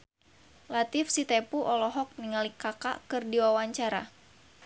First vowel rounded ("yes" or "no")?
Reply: no